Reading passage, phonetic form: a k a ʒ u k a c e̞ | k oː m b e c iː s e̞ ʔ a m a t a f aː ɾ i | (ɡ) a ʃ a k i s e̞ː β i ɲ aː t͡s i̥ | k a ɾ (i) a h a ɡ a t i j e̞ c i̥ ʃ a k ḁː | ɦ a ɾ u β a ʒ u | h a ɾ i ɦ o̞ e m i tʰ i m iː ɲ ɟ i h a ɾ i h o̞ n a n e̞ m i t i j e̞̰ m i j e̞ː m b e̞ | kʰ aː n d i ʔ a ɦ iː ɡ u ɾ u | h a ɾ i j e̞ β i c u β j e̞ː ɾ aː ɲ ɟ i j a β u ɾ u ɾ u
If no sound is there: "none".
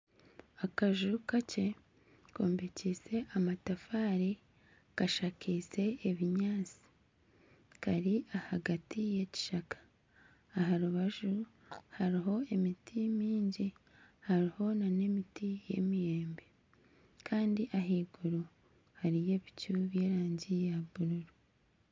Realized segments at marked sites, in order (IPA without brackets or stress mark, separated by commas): k, i